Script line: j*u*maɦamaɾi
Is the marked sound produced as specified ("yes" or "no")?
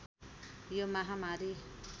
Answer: no